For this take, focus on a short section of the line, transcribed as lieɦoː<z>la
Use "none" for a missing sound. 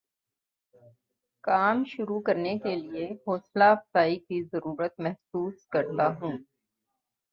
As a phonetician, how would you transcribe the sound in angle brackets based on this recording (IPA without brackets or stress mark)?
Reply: s